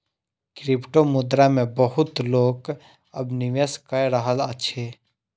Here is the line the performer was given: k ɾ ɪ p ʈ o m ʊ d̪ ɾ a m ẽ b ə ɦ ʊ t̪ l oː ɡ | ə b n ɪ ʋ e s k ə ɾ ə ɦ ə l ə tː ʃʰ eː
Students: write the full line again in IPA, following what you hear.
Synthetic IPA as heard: k ɾ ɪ p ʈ o m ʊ d̪ ɾ a m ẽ b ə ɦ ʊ t̪ l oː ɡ | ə b n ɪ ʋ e s k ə ɾ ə ɦ ə l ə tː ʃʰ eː